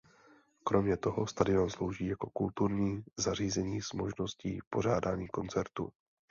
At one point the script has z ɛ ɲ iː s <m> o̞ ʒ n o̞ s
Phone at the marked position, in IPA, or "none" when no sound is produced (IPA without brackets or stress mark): m